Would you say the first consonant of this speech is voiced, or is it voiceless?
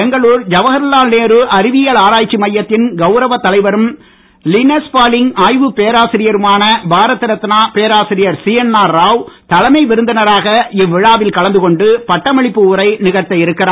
voiced